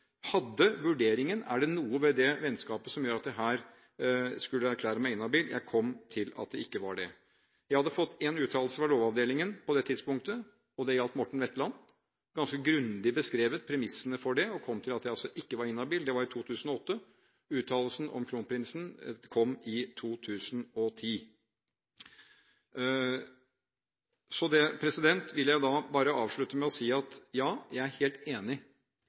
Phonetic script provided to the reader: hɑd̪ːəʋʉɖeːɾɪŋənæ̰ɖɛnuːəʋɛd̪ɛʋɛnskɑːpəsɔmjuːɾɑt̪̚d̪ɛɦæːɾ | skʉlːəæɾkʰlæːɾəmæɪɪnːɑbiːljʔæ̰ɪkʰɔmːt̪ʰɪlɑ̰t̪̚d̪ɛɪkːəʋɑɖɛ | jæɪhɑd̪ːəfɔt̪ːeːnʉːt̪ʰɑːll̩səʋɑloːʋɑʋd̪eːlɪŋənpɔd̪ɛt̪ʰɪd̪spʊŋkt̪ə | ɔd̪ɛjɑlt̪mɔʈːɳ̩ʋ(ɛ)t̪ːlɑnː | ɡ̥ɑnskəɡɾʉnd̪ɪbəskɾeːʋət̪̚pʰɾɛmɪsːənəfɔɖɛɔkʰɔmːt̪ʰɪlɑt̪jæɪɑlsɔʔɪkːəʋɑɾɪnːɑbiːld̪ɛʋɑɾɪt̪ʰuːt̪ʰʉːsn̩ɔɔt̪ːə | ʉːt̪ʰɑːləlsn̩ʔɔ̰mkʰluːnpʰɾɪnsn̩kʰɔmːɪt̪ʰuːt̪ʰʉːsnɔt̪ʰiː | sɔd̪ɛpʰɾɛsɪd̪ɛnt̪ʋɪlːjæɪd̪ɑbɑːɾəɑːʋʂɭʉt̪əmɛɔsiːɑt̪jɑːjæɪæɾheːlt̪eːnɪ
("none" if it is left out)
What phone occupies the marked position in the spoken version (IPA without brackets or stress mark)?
ɛ